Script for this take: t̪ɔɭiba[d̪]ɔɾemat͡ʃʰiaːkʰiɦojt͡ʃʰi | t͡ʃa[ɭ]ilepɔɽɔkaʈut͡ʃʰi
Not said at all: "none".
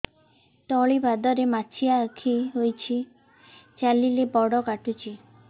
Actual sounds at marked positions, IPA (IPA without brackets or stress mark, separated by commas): d̪, l